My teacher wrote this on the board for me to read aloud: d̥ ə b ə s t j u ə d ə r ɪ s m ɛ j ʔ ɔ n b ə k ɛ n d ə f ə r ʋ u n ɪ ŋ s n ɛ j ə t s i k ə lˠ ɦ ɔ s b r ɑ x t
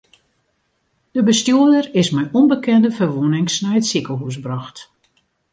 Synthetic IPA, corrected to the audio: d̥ ə b ə s t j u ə d ə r ɪ s m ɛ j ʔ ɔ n b ə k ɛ n d ə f ə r ʋ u n ɪ ŋ s n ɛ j ə t s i k ə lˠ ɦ u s b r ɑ x t